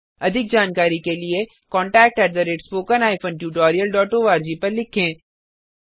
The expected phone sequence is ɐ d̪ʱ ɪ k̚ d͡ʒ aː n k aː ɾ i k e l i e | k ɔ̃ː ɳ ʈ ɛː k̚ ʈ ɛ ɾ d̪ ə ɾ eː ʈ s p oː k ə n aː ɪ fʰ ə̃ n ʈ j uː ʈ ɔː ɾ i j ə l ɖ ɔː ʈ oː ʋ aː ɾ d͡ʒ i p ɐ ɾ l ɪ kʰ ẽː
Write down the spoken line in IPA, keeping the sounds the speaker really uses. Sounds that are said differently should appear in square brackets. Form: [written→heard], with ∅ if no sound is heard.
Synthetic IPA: ɐ d̪ʱ ɪ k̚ d͡ʒ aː n k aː ɾ i k e l i e | k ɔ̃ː ɳ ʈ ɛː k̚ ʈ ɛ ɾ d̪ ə ɾ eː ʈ s p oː k ə n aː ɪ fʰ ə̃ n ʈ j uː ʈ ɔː ɾ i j ə l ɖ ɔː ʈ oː ʋ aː ɾ d͡ʒ i p ɐ ɾ l ɪ kʰ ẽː